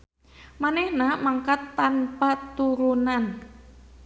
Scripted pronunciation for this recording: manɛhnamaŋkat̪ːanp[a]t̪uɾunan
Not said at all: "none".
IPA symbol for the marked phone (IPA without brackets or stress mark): a